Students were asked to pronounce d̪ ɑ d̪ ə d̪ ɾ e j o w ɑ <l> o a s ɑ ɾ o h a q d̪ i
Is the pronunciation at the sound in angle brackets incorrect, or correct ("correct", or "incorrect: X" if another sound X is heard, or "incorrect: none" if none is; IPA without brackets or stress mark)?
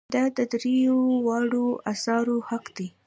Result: incorrect: ɽ